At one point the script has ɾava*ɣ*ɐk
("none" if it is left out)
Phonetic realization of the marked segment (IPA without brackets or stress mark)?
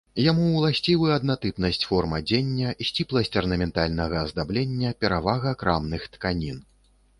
ɣ